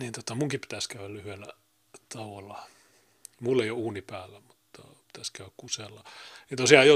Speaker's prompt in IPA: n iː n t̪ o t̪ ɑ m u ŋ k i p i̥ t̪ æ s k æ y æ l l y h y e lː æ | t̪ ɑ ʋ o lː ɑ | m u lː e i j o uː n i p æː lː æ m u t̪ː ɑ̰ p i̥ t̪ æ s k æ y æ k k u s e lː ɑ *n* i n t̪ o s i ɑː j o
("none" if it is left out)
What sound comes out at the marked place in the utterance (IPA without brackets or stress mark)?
n